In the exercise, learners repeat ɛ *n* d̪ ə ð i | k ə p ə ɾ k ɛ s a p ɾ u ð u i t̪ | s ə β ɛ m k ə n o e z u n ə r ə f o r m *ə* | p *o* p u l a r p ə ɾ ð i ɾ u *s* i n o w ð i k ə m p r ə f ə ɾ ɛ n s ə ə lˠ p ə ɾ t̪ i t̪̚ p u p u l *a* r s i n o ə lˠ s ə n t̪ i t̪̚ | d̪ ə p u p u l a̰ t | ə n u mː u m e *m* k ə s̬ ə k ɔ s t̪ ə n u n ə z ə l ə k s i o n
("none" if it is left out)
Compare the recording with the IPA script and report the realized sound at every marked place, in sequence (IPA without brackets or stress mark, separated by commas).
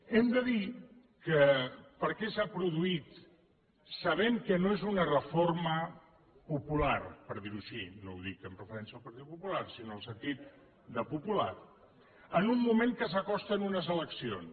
m, ə, u, ʃ, a, ŋ